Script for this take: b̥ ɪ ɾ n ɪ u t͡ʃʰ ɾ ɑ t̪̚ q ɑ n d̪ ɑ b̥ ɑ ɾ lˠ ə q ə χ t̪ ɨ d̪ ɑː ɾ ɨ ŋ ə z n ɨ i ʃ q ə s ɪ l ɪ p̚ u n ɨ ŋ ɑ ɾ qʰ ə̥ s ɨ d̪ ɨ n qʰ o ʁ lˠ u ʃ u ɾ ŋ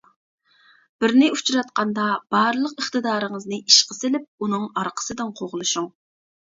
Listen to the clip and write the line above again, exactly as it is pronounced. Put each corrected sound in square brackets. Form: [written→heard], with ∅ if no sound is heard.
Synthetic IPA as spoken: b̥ ɪ ɾ n ɪ u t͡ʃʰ ɾ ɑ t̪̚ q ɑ n d̪ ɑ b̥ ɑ ɾ lˠ ə q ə χ t̪ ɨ d̪ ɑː ɾ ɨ ŋ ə z n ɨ i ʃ q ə s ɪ l ɪ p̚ u n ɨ ŋ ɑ ɾ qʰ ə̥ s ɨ d̪ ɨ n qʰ o ʁ lˠ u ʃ u [ɾ→∅] ŋ

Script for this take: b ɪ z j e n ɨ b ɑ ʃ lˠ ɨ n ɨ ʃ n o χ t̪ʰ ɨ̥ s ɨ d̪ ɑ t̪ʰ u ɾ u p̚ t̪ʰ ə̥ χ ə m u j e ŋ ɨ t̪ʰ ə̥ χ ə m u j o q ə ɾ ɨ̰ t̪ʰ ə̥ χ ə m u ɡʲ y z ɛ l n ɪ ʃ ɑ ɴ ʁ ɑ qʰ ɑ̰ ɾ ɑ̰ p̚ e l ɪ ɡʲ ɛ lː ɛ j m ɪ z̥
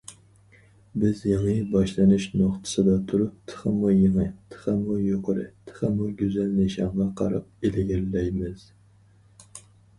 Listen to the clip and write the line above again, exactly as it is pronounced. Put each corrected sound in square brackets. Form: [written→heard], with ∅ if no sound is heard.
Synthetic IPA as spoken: b ɪ z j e [n→ŋ] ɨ b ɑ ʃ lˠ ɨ n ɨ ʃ n o χ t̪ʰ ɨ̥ s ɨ d̪ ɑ t̪ʰ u ɾ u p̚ t̪ʰ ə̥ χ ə m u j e ŋ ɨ t̪ʰ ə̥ χ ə m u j o q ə ɾ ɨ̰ t̪ʰ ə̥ χ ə m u ɡʲ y z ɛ l n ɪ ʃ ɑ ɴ ʁ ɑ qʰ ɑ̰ ɾ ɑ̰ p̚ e l ɪ ɡʲ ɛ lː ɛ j m ɪ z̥

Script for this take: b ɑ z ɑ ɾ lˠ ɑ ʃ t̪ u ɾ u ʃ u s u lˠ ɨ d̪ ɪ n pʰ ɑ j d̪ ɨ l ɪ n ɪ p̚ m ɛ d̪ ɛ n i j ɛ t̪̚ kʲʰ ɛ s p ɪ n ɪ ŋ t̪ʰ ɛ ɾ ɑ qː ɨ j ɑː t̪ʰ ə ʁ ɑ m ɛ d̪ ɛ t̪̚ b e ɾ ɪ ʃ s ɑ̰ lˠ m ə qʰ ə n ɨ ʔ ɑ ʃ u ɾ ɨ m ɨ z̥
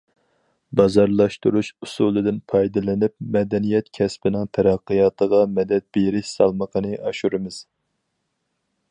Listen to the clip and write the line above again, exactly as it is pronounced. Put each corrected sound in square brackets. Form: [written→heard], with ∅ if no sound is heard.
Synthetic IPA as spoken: b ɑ z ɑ ɾ lˠ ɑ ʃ t̪ u ɾ u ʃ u s u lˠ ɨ d̪ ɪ n pʰ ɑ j d̪ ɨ l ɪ n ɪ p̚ m ɛ d̪ ɛ n i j ɛ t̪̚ kʲʰ ɛ s p ɪ n ɪ ŋ t̪ʰ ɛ ɾ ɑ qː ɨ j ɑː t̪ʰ ə ʁ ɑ m ɛ d̪ ɛ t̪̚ b e ɾ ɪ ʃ s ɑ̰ lˠ m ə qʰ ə n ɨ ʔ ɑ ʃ u ɾ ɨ m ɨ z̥

